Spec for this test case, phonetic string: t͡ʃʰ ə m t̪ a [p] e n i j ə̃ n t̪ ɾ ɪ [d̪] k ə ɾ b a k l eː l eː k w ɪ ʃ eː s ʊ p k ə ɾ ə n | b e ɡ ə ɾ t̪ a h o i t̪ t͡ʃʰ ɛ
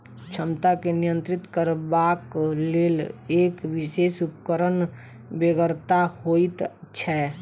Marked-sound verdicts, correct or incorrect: incorrect: k, incorrect: t̪

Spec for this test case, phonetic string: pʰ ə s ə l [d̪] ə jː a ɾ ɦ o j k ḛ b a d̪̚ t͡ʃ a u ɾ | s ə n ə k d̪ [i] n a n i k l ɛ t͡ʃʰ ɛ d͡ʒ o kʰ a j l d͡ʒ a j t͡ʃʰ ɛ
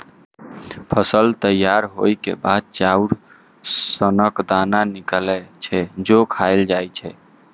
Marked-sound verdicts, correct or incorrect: incorrect: t̪, incorrect: a

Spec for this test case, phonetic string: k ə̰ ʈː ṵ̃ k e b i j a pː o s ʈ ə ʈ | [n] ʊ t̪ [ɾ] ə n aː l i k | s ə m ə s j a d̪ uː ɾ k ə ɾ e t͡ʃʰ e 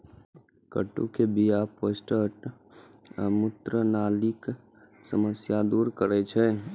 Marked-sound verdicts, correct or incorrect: incorrect: m, correct

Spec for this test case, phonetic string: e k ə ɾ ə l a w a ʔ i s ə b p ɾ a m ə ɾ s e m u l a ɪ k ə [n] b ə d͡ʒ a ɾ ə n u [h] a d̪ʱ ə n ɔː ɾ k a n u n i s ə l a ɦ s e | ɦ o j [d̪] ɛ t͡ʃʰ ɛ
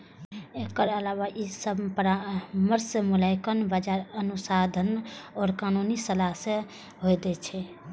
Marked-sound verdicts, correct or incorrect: correct, incorrect: s, correct

